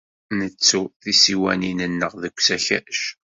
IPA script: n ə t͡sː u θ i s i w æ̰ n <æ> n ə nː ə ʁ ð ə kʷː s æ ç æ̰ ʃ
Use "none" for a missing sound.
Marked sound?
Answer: i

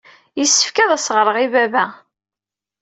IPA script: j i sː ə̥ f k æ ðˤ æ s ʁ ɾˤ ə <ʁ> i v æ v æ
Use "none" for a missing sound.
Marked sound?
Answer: ʁ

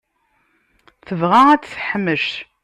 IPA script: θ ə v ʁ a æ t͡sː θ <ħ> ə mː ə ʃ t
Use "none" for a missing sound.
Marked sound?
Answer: ħ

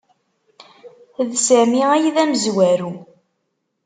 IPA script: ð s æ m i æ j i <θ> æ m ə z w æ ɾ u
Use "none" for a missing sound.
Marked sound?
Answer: ð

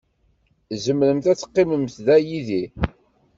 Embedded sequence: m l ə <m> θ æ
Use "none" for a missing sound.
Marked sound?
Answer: m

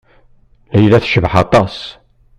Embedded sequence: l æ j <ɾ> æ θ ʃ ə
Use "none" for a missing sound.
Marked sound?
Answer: l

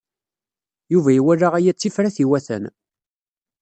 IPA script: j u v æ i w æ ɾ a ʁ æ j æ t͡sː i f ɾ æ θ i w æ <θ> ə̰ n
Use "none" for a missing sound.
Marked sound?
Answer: θ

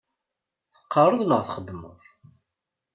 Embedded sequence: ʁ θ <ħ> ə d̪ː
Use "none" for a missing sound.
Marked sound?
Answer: χ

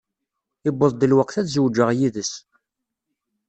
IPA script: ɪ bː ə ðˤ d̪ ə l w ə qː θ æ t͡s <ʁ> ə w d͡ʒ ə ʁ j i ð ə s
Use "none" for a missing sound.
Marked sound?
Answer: z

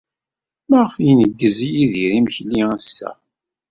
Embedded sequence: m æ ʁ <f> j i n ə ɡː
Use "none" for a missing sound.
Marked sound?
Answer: f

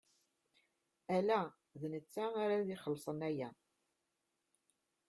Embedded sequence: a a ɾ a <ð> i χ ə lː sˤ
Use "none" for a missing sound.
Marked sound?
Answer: ð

